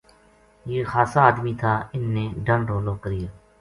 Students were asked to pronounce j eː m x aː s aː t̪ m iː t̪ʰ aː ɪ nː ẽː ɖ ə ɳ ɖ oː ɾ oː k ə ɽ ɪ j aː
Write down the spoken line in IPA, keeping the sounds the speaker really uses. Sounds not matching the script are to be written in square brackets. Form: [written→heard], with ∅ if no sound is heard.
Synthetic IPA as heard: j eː [m→∅] x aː s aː [t̪→d̪] m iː t̪ʰ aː ɪ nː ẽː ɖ ə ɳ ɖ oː [ɾ→l] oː k ə [ɽ→ɾ] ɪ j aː